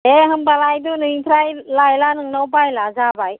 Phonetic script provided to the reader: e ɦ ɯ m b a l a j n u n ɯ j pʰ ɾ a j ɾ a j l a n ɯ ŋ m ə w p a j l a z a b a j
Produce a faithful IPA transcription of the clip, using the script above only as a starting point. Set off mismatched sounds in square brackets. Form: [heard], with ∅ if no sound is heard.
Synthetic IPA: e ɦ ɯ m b a l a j [d] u n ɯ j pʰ ɾ a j [l] a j l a n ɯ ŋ [n] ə w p a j l a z a b a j